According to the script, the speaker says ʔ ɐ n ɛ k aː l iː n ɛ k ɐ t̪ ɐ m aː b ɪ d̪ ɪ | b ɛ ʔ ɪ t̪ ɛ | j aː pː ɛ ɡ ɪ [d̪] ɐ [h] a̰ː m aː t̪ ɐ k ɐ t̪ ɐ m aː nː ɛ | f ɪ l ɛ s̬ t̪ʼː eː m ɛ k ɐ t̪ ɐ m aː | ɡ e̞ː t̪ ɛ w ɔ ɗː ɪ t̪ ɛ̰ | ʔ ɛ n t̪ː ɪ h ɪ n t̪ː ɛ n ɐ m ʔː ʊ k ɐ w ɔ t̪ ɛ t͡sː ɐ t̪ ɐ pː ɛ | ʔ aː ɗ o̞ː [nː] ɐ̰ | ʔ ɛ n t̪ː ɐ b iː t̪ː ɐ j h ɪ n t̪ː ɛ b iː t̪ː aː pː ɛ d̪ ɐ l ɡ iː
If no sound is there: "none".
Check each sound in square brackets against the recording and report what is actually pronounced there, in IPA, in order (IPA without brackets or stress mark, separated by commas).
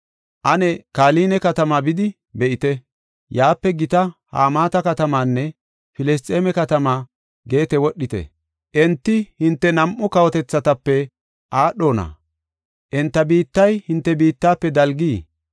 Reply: t̪, h, n